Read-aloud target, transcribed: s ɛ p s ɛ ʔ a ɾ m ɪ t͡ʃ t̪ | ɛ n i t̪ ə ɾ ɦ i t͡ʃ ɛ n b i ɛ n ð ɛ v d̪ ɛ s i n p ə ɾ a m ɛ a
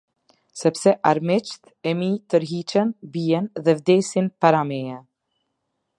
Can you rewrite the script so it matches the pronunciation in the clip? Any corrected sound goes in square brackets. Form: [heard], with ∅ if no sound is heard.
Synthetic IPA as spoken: s ɛ p s ɛ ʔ a ɾ m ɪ t͡ʃ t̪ | ɛ [m] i t̪ ə ɾ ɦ i t͡ʃ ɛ n b i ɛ n ð ɛ v d̪ ɛ s i n p [a] ɾ a m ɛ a

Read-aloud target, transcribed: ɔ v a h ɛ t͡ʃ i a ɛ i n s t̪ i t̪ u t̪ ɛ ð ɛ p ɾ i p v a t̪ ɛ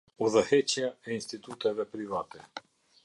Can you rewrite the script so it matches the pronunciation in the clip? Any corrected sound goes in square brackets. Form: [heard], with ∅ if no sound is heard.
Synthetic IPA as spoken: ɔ [z] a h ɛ t͡ʃ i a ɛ i n s t̪ i t̪ u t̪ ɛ [v] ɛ p ɾ i [∅] v a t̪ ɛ

